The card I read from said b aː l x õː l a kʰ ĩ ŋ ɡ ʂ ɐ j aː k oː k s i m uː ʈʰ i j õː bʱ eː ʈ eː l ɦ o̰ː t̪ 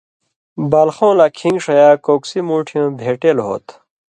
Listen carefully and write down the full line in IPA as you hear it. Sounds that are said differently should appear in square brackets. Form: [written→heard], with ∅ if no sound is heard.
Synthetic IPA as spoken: b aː l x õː l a kʰ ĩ ŋ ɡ ʂ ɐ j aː k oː k s i m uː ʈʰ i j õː bʱ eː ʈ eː l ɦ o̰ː t̪